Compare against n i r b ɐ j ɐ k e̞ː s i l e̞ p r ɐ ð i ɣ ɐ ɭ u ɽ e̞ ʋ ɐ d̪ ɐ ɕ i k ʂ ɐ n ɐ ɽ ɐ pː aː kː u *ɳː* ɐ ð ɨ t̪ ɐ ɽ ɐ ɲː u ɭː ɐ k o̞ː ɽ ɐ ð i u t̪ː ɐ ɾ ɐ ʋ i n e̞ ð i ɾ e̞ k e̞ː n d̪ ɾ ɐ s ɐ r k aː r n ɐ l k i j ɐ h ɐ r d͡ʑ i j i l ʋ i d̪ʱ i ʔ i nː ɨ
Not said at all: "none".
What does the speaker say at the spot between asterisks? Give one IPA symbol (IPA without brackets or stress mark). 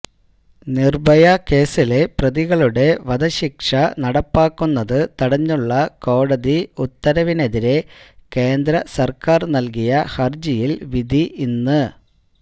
nː